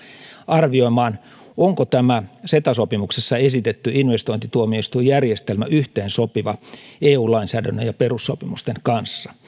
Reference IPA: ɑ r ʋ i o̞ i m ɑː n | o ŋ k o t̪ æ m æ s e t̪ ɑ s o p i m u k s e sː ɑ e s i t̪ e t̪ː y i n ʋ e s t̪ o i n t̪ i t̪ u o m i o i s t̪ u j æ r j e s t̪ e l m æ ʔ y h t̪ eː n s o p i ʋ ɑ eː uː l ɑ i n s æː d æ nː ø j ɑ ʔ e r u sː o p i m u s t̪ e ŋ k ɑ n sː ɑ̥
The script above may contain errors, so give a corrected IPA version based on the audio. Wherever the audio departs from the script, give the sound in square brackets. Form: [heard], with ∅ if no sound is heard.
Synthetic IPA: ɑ r ʋ i o̞ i m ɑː n | o ŋ k o t̪ æ m æ s e t̪ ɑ s o p i m u k s e sː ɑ e s i t̪ e t̪ː y i n ʋ e s t̪ o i n t̪ i t̪ u o m i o i s t̪ u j æ r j e s t̪ e l m æ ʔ y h t̪ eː n s o p i ʋ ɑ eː uː l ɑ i n s æː d æ nː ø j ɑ [p] e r u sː o p i m u s t̪ e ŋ k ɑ n sː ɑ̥

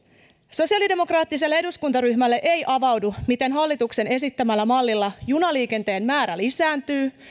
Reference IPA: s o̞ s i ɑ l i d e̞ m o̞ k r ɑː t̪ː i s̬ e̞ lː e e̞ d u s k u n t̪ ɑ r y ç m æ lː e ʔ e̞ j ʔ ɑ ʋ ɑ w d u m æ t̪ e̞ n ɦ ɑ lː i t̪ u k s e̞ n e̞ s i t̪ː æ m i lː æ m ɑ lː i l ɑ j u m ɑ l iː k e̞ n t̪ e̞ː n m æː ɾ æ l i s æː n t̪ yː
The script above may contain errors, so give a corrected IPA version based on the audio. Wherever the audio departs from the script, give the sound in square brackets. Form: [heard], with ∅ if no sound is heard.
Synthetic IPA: s o̞ s i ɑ l i d e̞ m o̞ k r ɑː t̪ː i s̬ e̞ lː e e̞ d u s k u n t̪ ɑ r y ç m æ lː e ʔ e̞ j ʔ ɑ ʋ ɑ w d u m [i] t̪ e̞ n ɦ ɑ lː i t̪ u k s e̞ n e̞ s i t̪ː æ m [æ] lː æ m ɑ lː i [lː] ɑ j u [n] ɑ l iː k e̞ n t̪ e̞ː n m æː ɾ æ l i s æː n t̪ yː

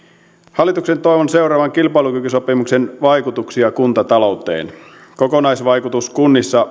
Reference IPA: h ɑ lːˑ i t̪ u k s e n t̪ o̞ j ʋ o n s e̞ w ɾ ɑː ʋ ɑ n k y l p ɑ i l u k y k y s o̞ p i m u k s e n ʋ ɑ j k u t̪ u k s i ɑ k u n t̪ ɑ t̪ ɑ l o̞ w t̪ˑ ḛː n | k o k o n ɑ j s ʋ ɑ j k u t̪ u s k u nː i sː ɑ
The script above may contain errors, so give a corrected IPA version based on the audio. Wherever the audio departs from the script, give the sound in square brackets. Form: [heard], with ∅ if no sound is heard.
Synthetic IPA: h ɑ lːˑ i t̪ u k s e n t̪ o̞ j ʋ o n s e̞ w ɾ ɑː ʋ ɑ [ŋ] k [i] l p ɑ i l u k y k y s o̞ p i m u k s e n ʋ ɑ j k u t̪ u k s i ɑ k u n t̪ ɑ t̪ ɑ l o̞ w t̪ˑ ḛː n | k o k o n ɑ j s ʋ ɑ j k u t̪ u s k u nː i sː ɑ

